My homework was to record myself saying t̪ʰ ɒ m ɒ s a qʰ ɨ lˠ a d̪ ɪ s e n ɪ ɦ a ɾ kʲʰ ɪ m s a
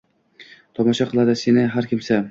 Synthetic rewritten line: t̪ʰ ɒ m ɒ ʃ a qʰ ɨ lˠ a d̪ ɪ s e n ɪ ɦ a ɾ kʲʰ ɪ m s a